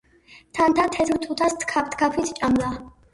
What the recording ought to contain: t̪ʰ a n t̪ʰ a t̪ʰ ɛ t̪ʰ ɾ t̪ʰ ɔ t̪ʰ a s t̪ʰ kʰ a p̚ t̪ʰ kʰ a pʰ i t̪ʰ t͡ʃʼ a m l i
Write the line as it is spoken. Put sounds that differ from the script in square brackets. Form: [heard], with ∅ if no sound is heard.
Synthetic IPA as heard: t̪ʰ a n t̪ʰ a t̪ʰ ɛ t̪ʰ ɾ t̪ʰ [u] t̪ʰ a s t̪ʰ kʰ a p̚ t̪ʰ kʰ a pʰ i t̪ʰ t͡ʃʼ a m l [a]